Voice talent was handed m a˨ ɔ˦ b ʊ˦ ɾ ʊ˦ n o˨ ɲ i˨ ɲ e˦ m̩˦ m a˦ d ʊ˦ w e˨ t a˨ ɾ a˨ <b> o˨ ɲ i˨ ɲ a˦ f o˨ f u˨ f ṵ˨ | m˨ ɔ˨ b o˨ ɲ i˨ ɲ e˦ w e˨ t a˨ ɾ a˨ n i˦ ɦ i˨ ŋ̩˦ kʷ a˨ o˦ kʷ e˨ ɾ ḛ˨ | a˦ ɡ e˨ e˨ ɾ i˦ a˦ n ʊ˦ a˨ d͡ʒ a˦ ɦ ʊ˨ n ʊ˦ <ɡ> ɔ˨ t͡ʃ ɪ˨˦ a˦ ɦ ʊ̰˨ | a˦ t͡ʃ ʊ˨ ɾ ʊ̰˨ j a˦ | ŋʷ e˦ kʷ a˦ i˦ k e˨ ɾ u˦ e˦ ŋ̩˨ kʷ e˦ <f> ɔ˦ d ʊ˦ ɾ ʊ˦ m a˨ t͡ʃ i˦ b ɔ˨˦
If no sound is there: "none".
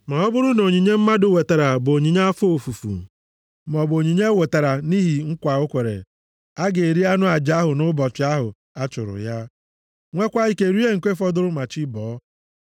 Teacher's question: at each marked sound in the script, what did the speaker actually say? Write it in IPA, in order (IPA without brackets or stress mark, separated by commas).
b, b, f